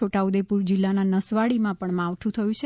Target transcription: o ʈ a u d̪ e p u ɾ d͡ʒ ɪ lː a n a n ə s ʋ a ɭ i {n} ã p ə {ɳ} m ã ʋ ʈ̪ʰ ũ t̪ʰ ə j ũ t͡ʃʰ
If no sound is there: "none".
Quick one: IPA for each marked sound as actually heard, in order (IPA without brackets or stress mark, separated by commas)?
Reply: m, ɳ